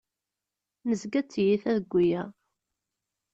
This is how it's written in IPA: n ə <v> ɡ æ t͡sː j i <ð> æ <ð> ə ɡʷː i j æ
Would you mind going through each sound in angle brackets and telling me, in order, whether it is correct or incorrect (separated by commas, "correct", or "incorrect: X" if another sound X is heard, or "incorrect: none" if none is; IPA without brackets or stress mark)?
incorrect: z, incorrect: θ, correct